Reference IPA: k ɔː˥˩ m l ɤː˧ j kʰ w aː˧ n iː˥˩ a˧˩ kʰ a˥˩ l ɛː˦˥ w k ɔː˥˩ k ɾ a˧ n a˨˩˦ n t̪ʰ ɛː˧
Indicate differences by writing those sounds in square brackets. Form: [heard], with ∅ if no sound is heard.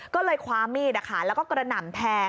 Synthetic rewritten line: k ɔː˥˩ [∅] l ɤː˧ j kʰ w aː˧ [m] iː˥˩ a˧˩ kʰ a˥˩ l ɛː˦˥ w k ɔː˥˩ k ɾ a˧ n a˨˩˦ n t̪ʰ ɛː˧